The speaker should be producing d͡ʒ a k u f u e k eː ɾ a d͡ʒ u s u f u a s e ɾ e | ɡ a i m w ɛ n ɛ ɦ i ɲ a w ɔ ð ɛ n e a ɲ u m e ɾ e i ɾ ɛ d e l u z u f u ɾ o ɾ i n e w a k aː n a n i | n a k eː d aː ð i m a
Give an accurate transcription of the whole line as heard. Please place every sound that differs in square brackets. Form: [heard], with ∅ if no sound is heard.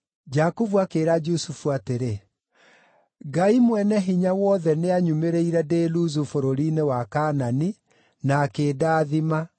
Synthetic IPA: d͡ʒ a k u [v] u [a] k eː ɾ a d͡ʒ u s u f u a [t] e ɾ e | ɡ a i m w ɛ n ɛ ɦ i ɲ a w ɔ ð ɛ n e a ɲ u m e ɾ e i ɾ ɛ d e l u z u f [o] ɾ o ɾ i n e w a k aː n a n i | n a k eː d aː ð i m a